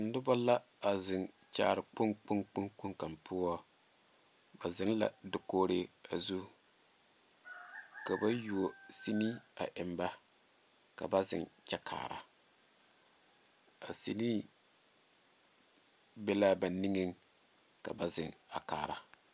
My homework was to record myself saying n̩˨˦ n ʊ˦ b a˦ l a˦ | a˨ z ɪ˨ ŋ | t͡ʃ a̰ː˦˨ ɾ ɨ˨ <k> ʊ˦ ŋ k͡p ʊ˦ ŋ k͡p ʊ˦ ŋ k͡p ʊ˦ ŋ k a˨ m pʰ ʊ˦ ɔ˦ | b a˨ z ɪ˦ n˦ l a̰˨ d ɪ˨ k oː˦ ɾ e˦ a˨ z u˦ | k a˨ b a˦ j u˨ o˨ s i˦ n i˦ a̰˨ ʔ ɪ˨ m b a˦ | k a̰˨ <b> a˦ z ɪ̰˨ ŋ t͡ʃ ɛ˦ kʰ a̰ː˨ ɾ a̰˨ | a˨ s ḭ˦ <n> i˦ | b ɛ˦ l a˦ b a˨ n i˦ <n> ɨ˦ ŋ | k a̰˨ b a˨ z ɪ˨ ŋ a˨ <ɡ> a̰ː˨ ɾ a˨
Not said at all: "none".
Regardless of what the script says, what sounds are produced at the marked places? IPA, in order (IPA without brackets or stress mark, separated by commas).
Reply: k͡p, b, n, ŋ, k